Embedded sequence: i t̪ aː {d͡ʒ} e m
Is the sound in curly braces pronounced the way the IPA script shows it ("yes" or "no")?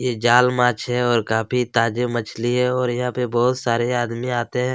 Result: yes